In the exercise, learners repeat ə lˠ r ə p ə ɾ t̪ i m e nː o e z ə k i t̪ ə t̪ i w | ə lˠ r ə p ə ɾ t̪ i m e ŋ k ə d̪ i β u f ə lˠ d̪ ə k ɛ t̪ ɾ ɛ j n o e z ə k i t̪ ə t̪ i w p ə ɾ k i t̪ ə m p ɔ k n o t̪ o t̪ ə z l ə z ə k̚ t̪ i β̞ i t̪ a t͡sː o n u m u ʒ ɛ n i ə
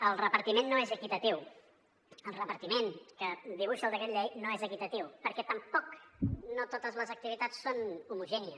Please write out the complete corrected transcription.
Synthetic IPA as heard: ə lˠ r ə p ə ɾ t̪ i m e nː o e z ə k i t̪ ə t̪ i w | ə lˠ r ə p ə ɾ t̪ i m e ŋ k ə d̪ i β u ʃ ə lˠ d̪ ə k ɛ t̪ ʎ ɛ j n o e z ə k i t̪ ə t̪ i w p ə ɾ k ɛ t̪ ə m p ɔ k n o t̪ o t̪ ə z l ə z ə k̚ t̪ i β̞ i t̪ a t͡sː o n u m u ʒ ɛ n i ə